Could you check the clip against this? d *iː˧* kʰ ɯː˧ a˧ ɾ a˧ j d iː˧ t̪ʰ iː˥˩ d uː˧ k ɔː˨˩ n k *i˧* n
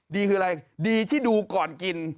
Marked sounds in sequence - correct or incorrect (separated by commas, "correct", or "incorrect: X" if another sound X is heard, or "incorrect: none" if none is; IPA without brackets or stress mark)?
correct, correct